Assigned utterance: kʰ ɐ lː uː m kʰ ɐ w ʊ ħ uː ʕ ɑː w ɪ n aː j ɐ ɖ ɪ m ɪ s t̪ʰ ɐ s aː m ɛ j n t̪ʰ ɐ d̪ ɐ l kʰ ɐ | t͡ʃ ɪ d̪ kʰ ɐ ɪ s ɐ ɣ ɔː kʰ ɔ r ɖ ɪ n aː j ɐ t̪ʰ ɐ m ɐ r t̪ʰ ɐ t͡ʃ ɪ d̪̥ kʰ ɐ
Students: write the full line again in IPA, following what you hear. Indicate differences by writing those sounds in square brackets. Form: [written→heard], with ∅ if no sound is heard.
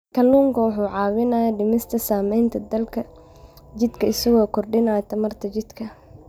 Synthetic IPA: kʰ ɐ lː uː [m→ŋ] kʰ ɐ w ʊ ħ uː ʕ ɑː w ɪ n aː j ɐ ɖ ɪ m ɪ s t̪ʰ ɐ s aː m ɛ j n t̪ʰ ɐ d̪ ɐ l kʰ ɐ | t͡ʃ ɪ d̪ kʰ ɐ ɪ s ɐ ɣ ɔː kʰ ɔ r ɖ ɪ n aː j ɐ t̪ʰ ɐ m ɐ r t̪ʰ ɐ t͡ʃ ɪ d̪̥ kʰ ɐ